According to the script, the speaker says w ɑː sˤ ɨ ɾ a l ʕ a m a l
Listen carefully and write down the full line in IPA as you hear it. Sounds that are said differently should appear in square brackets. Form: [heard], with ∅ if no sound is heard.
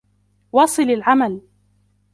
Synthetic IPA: w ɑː sˤ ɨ [l] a l ʕ a m a l